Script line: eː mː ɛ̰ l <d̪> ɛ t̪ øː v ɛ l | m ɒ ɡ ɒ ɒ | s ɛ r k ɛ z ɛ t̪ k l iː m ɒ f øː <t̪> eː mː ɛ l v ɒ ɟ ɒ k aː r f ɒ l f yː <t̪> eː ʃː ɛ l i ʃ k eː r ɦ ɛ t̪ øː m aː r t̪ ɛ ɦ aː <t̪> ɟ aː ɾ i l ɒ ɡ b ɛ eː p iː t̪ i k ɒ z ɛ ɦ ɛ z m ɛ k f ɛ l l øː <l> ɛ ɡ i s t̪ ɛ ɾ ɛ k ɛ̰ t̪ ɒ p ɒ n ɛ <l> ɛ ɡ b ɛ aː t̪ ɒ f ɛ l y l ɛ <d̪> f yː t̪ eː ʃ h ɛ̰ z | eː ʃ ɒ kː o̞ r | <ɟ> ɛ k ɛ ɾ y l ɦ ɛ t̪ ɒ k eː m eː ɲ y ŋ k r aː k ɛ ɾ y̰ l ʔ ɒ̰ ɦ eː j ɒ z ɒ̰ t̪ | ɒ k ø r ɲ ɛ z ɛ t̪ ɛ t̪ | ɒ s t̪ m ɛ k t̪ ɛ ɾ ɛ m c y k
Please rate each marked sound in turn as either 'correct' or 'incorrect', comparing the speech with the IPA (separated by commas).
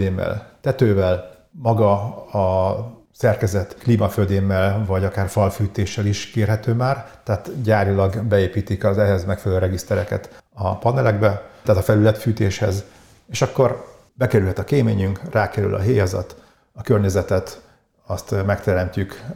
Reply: incorrect, incorrect, correct, correct, incorrect, correct, incorrect, incorrect